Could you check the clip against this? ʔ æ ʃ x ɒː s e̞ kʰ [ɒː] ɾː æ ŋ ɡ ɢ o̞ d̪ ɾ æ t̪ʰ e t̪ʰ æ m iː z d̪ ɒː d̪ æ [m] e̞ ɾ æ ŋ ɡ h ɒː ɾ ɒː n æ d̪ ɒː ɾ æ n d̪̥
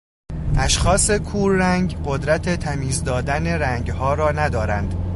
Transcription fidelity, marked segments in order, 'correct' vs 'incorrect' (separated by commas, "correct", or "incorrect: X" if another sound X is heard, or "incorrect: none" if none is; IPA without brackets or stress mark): incorrect: uː, incorrect: n